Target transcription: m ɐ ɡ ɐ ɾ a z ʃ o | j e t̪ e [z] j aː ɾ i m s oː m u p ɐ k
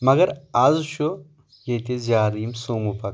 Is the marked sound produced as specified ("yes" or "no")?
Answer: yes